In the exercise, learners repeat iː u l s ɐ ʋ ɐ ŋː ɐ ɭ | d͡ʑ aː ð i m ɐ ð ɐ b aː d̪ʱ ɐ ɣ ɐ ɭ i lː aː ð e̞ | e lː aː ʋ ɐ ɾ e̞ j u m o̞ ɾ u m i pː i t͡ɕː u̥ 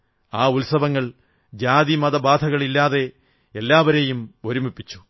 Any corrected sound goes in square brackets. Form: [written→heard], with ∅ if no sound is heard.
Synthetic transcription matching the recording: [iː→aː] u l s ɐ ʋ ɐ ŋː ɐ ɭ | d͡ʑ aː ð i m ɐ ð ɐ b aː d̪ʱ ɐ ɣ ɐ ɭ i lː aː ð e̞ | e lː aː ʋ ɐ ɾ e̞ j u m o̞ ɾ u m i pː i t͡ɕː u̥